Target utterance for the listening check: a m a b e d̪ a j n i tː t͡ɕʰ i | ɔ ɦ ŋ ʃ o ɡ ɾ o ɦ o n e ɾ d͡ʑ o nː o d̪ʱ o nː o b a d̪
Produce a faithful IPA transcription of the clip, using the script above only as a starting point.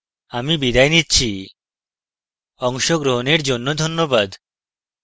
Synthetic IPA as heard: a m i b i d̪ a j n i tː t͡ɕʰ i | ɔ ŋ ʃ o ɡ ɾ o ɦ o n e ɾ d͡ʑ o nː o d̪ʱ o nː o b a d̪